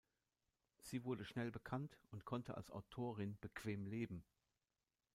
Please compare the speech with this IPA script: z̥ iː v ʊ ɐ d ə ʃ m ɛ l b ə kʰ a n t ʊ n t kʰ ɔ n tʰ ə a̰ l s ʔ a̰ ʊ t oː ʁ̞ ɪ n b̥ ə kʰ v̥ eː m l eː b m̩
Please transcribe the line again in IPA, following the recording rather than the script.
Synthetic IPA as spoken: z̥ iː v ʊ ɐ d ə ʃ n ɛ l b ə kʰ a n t ʊ n t kʰ ɔ n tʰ ə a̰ l s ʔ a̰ ʊ tʰ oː ʁ̞ ɪ n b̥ ə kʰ v̥ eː m l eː b m̩